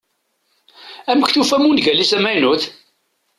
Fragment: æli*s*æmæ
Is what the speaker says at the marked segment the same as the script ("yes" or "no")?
yes